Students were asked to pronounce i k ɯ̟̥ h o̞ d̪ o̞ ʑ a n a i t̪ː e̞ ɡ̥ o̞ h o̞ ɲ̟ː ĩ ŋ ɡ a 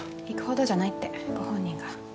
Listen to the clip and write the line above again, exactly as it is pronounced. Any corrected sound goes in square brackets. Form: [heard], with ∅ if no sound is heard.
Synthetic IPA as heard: i k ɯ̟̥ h o̞ d̪ o̞ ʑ a n a i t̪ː e̞ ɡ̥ o̞ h [õ̞] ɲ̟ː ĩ ŋ ɡ a